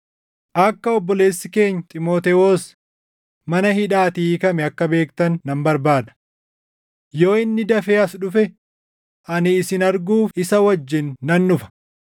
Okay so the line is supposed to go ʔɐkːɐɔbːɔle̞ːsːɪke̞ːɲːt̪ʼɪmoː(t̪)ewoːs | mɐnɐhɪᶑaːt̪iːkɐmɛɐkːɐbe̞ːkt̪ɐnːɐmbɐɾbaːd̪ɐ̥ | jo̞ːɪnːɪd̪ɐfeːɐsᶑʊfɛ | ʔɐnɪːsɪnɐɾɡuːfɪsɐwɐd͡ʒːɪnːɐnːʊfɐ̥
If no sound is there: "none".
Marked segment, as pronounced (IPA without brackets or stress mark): t̪